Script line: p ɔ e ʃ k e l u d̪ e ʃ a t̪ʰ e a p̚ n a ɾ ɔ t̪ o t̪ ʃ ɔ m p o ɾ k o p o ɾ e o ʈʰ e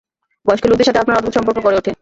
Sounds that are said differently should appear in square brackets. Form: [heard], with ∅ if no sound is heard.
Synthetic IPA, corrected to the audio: [b] ɔ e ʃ k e l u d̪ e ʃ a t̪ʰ e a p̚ n a ɾ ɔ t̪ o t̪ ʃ ɔ m p o ɾ k o [k] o ɾ e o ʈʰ e